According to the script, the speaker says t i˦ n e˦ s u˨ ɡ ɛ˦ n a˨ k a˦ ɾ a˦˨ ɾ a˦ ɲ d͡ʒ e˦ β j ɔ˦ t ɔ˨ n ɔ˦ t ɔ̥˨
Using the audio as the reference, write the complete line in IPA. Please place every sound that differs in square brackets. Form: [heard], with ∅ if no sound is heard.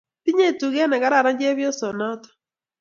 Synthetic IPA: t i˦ [ɲ] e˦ [t] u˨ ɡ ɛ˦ n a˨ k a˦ ɾ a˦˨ ɾ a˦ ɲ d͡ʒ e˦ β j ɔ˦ [s] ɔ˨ n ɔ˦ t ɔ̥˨